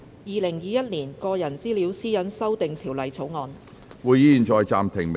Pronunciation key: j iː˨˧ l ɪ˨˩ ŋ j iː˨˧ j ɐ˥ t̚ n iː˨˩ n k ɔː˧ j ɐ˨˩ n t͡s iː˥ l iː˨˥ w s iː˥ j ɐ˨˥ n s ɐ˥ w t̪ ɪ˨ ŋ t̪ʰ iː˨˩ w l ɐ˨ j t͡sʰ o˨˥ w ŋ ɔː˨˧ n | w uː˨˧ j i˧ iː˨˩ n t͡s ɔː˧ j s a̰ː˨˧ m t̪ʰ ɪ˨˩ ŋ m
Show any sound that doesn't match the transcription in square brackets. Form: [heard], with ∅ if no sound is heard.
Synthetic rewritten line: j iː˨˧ l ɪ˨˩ ŋ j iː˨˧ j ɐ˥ t̚ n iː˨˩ n k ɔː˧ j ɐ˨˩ n t͡s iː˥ l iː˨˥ w s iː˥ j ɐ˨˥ n s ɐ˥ w t̪ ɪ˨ ŋ t̪ʰ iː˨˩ w l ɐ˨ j t͡sʰ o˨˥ w ŋ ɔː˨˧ n | w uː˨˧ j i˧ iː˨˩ n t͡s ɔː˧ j [t͡s] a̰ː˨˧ m t̪ʰ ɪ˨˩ ŋ m